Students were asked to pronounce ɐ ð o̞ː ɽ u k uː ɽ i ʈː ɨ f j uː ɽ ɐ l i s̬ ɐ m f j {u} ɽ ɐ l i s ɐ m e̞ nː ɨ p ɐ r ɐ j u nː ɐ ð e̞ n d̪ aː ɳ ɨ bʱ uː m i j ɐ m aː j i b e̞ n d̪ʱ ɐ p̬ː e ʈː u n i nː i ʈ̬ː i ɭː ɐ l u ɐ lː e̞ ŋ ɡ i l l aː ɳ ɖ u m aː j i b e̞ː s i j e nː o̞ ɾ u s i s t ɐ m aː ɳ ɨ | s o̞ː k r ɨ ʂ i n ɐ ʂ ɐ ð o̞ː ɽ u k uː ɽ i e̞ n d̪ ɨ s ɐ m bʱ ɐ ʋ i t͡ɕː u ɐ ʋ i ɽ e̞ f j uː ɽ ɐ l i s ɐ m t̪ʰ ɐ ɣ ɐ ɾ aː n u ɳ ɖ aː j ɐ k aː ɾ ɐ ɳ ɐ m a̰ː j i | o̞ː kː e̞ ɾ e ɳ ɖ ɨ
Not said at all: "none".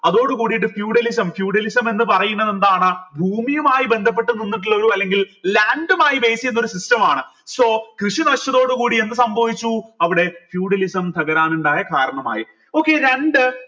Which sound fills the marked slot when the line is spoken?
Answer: uː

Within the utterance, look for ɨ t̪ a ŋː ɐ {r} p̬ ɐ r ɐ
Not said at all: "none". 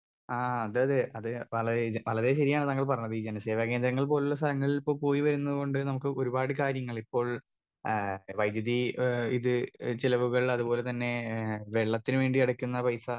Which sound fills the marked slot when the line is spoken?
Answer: ɭ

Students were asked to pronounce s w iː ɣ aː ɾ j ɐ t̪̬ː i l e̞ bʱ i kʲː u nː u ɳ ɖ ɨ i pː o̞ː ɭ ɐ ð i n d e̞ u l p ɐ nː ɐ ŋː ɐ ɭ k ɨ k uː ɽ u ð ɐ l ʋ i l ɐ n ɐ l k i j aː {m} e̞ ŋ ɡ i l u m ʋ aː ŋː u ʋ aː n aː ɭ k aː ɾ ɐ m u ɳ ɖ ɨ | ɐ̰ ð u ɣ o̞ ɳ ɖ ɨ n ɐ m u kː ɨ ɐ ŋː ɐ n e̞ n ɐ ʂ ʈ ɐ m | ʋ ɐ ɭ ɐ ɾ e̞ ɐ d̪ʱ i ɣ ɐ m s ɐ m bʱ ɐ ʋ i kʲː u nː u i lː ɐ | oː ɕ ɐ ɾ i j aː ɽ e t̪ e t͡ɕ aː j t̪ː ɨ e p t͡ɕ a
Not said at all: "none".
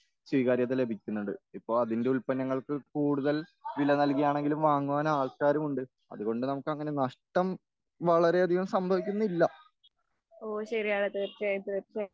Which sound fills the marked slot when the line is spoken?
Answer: ɳ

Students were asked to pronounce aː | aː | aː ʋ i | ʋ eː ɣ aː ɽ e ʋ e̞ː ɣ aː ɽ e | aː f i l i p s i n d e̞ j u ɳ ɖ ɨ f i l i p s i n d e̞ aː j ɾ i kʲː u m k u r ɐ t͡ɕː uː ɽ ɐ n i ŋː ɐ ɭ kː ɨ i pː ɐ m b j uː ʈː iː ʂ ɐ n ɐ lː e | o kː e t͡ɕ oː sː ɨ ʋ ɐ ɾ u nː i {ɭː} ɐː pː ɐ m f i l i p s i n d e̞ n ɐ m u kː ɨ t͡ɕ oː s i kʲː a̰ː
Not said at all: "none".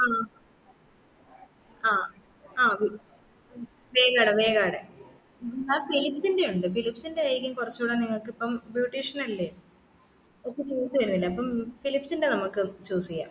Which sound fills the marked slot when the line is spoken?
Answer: lː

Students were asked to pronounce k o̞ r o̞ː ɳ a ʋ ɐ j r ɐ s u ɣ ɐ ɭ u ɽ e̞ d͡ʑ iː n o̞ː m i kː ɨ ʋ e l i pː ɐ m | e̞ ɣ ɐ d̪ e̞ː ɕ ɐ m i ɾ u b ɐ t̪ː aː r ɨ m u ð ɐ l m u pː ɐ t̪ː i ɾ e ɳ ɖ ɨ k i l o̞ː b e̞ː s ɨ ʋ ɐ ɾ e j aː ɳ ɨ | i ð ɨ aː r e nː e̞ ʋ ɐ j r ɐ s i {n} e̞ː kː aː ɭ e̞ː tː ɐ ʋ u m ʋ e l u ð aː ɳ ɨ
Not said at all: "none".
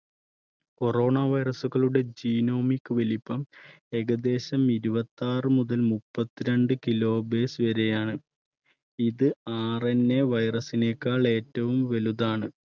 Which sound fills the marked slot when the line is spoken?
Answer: n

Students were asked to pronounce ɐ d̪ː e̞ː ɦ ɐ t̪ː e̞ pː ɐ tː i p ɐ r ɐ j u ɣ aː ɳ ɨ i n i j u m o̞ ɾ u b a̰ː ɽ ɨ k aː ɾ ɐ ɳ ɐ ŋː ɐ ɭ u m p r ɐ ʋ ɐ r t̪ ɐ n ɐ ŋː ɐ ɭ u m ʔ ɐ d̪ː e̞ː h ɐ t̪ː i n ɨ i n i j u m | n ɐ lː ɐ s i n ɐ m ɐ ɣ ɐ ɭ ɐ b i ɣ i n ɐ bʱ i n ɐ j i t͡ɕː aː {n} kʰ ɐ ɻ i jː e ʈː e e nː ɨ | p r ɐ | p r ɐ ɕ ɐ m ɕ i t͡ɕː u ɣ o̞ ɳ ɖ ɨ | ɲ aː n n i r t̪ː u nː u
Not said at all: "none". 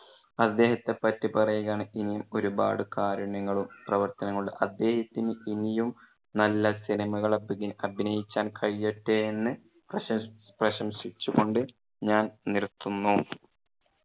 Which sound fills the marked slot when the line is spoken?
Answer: n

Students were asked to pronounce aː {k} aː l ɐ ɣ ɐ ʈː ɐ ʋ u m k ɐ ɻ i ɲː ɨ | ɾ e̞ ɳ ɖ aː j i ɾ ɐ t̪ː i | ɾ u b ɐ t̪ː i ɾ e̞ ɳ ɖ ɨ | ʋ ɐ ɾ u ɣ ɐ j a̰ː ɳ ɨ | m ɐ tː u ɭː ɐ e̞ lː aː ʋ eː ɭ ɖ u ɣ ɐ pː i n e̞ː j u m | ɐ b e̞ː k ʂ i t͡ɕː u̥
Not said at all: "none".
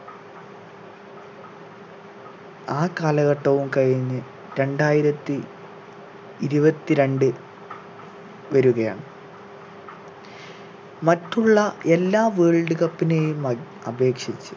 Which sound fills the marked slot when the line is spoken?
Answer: k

